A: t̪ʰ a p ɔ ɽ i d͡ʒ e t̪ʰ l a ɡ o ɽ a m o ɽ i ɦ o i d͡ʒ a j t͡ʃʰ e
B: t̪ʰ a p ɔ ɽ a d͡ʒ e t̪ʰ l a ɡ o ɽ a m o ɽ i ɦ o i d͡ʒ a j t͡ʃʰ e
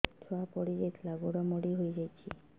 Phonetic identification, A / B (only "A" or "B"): A